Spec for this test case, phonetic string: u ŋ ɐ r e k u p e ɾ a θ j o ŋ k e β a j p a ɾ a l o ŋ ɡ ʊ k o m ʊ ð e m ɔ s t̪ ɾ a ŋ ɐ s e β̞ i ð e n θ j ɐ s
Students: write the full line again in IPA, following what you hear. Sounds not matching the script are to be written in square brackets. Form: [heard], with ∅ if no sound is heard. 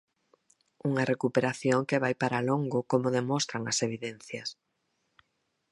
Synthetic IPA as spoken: u ŋ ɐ r e k u p e ɾ a θ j o ŋ k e β a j p a ɾ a l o ŋ ɡ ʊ k o m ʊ ð e m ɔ s t̪ ɾ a ŋ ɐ s e β̞ i ð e n θ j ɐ s